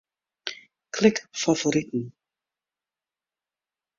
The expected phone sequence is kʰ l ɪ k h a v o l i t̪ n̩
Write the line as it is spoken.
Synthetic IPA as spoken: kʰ l ɪ k f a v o ɾ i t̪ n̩